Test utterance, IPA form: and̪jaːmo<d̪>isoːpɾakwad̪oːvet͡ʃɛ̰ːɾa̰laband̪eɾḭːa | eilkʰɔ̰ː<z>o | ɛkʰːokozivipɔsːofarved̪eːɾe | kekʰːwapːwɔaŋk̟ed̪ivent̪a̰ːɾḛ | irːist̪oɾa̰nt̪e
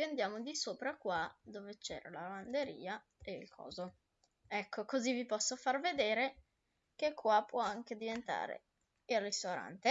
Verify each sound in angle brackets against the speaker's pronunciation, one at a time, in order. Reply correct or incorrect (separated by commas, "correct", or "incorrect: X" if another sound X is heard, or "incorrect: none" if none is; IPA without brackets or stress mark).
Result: correct, correct